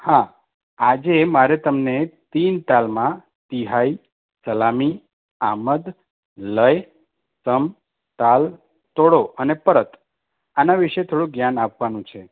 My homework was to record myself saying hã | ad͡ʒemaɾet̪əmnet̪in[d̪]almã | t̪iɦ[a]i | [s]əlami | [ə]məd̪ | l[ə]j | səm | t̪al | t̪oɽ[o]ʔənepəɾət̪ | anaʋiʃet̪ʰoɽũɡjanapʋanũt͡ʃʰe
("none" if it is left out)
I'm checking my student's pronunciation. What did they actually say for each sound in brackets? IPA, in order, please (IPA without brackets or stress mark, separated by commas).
t̪, a, s, a, ə, o